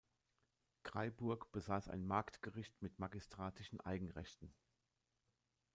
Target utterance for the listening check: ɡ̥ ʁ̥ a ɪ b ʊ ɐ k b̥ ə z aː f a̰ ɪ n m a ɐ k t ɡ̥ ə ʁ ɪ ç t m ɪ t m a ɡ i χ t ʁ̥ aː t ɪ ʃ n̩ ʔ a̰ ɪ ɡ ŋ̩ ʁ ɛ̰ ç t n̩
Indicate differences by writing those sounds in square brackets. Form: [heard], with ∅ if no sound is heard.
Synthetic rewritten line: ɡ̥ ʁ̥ a ɪ b ʊ ɐ k b̥ ə z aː [s] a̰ ɪ n m a ɐ k t ɡ̥ ə ʁ ɪ ç t m ɪ t m a ɡ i [s] t ʁ̥ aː t ɪ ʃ n̩ ʔ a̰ ɪ ɡ ŋ̩ ʁ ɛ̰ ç t n̩

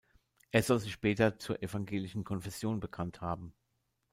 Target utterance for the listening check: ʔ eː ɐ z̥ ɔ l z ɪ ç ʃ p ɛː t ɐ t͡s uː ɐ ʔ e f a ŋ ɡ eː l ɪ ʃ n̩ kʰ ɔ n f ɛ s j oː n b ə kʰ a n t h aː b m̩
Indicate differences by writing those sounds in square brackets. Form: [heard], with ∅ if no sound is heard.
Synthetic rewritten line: ʔ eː ɐ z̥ ɔ l z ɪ ç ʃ p ɛː t ɐ t͡s uː ɐ ʔ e f a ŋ ɡ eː l ɪ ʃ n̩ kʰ ɔ n f ɛ s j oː n b ə kʰ a n t h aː b m̩

